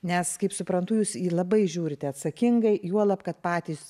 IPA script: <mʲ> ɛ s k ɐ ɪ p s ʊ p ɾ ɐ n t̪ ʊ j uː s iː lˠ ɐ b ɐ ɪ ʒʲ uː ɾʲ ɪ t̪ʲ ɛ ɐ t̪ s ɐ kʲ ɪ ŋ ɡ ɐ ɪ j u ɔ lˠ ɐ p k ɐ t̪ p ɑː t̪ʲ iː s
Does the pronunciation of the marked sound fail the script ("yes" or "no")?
yes